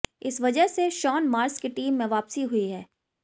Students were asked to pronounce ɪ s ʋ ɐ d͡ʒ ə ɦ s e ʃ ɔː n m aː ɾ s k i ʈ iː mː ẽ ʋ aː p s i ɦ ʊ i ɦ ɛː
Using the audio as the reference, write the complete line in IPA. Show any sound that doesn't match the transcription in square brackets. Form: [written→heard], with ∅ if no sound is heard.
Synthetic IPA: ɪ s ʋ ɐ d͡ʒ ə ɦ s e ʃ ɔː n m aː ɾ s k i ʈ iː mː ẽ ʋ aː p s i ɦ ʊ i ɦ ɛː